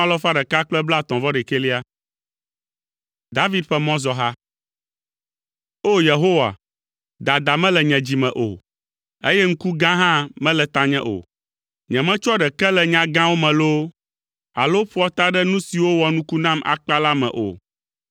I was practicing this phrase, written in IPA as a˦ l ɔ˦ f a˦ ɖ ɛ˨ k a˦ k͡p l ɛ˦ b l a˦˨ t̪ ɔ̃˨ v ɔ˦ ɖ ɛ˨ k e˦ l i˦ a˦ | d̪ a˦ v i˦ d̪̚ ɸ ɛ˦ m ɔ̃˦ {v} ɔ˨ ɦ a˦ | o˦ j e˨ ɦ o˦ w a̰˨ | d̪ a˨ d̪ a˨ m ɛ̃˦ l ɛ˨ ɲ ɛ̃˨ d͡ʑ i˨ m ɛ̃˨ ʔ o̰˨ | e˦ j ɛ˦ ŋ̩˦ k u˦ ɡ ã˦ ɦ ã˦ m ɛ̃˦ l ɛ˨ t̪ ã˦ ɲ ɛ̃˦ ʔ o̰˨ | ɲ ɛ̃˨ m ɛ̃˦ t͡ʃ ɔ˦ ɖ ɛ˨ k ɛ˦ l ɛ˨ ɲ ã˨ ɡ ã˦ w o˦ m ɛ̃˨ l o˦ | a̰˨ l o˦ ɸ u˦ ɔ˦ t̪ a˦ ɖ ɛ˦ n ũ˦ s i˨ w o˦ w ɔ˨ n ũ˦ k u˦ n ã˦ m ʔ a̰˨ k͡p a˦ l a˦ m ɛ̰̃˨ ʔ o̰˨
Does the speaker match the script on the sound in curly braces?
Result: no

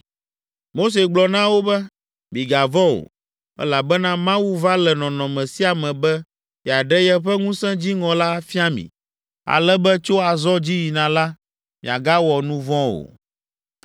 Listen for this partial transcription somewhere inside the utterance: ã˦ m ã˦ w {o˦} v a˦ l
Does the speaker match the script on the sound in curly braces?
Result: no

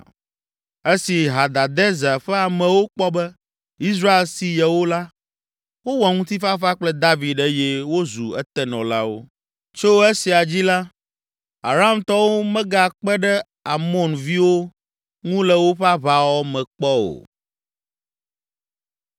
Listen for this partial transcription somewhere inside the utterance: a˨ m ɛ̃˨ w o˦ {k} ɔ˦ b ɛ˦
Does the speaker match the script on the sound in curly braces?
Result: no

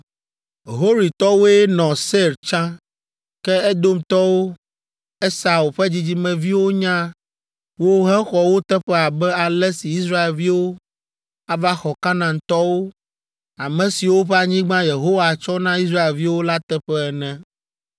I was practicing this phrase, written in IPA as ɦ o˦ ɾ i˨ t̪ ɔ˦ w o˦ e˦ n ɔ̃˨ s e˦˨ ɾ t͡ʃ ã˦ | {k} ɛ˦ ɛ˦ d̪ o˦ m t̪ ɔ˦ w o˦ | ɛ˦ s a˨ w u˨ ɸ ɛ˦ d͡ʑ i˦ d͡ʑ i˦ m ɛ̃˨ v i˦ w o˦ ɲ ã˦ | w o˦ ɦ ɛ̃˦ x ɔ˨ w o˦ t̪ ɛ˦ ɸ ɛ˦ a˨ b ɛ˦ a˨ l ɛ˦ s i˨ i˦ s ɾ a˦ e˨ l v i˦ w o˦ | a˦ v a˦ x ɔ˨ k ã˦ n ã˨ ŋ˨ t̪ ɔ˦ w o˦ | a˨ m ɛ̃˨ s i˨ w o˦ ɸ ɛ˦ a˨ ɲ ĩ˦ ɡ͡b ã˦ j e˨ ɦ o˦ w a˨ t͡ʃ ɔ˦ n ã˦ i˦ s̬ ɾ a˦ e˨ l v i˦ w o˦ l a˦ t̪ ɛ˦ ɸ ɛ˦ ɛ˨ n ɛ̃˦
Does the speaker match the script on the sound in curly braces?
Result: yes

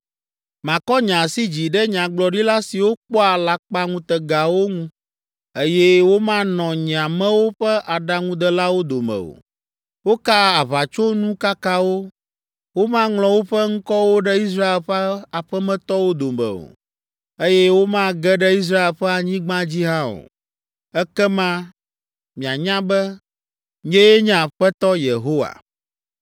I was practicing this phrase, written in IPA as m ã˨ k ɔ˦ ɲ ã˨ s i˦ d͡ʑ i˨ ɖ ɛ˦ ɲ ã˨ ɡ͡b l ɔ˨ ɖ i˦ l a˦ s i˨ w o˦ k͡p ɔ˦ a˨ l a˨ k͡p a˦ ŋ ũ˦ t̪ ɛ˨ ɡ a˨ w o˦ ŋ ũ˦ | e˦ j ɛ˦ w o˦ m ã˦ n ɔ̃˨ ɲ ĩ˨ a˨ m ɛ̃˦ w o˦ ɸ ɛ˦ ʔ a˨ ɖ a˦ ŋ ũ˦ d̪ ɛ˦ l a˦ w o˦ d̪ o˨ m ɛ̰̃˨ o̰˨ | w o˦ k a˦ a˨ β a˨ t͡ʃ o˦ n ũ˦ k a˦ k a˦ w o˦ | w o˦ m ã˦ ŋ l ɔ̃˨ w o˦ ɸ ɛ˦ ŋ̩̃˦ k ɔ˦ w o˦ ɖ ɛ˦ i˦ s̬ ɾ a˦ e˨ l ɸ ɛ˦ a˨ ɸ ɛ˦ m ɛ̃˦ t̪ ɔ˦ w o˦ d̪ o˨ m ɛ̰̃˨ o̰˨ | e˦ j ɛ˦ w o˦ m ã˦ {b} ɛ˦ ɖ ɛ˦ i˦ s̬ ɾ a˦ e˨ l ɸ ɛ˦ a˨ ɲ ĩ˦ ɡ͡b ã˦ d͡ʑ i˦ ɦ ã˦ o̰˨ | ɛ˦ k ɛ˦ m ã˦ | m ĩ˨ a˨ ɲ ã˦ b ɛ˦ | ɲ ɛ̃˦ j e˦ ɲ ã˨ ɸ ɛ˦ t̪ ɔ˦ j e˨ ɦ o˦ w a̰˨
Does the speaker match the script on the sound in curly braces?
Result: no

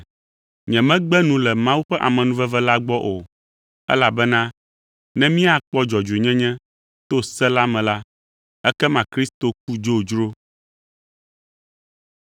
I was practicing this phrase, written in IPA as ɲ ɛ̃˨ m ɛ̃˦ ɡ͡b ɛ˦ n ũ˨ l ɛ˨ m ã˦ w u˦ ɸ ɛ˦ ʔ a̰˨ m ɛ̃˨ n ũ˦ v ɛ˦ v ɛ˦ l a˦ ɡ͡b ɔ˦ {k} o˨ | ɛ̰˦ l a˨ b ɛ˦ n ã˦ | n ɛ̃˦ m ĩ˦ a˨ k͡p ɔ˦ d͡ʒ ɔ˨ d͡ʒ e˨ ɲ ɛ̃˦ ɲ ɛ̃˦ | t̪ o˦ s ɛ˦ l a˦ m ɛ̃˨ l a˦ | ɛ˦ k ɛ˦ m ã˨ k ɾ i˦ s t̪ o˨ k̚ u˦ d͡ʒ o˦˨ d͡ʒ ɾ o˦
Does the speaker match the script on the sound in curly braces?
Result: no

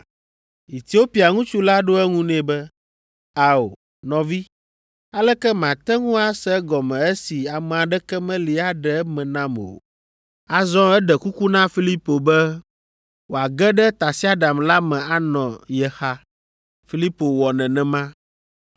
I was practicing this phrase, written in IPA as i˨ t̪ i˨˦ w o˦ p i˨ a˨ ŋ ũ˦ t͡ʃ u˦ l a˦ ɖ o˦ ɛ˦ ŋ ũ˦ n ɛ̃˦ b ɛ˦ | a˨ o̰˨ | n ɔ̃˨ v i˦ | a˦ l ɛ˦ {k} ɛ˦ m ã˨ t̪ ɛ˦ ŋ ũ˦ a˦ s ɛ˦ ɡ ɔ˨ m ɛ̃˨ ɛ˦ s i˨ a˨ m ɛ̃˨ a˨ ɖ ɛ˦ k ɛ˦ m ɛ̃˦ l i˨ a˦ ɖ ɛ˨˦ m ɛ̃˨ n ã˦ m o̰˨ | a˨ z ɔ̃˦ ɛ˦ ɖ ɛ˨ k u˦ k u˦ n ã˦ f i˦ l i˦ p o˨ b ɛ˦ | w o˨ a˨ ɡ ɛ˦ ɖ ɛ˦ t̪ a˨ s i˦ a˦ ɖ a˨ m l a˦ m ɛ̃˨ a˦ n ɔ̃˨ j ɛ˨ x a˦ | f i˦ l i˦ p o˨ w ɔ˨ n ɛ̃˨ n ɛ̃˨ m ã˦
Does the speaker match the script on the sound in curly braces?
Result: yes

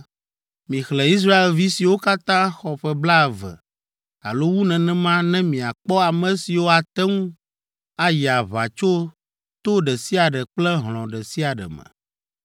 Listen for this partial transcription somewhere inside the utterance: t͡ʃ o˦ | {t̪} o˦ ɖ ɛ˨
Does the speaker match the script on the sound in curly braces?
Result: yes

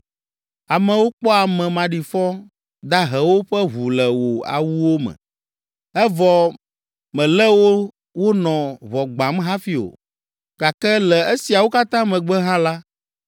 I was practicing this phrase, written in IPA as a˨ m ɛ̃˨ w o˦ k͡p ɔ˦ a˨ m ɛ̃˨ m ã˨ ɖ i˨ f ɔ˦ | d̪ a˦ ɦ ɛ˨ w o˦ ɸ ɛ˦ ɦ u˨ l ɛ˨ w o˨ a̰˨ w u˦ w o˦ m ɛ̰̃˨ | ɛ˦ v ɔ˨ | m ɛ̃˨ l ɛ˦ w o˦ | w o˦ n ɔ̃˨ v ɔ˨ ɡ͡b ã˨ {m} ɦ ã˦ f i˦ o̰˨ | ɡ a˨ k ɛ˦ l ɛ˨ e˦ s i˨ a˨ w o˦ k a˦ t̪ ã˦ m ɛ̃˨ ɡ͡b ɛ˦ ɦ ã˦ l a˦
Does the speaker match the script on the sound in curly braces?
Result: yes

